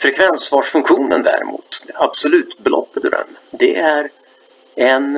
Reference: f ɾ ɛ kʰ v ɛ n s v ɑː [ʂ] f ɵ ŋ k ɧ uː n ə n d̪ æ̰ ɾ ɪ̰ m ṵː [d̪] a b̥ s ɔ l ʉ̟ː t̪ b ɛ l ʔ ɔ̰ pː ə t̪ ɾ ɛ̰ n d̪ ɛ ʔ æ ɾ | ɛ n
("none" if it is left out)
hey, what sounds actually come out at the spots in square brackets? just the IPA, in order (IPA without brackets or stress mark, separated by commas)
ʂ, t̪